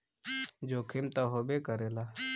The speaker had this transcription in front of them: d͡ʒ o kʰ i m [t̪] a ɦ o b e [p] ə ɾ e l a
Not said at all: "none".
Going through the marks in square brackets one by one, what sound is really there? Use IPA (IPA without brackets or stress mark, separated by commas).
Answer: t̪, k